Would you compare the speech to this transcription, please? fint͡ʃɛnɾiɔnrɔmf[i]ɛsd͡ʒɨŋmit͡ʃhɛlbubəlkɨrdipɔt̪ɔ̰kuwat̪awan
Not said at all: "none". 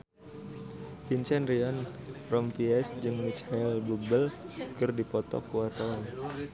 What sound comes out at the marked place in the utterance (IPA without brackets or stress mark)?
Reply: i